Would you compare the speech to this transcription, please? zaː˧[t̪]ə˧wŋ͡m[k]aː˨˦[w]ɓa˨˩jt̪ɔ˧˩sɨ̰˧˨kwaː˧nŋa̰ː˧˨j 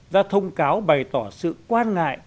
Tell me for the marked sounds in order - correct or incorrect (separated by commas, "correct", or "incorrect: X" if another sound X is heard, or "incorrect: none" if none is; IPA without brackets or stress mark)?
incorrect: t̪ʰ, correct, correct